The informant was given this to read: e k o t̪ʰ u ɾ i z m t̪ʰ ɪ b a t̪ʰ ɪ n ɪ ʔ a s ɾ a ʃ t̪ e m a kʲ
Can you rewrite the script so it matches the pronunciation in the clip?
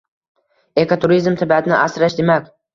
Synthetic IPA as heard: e k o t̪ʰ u ɾ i z m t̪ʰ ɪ b a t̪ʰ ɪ n ɪ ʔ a s ɾ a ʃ d̪ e m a kʲ